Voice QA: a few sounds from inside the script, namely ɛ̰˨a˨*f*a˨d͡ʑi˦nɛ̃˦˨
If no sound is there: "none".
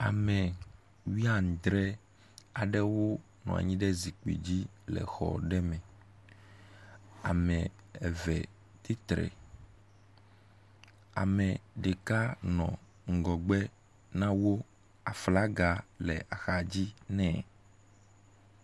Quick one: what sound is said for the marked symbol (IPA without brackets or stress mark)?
x